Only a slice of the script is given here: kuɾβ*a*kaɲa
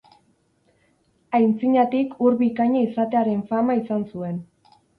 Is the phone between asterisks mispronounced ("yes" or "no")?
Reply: yes